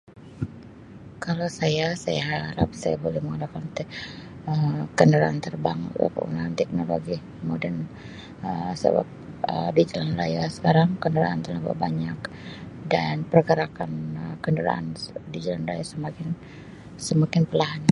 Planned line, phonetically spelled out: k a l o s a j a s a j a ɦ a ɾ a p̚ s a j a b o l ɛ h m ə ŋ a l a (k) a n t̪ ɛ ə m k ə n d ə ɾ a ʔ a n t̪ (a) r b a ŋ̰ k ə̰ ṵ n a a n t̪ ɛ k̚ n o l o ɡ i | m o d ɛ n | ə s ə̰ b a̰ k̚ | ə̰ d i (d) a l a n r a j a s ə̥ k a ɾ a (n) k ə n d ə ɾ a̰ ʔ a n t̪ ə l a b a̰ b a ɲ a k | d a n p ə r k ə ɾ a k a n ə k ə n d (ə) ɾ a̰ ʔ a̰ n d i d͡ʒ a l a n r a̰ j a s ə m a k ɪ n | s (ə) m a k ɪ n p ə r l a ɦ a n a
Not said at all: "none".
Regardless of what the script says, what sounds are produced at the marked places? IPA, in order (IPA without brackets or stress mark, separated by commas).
k, ə, d͡ʒ, ŋ, ə, ə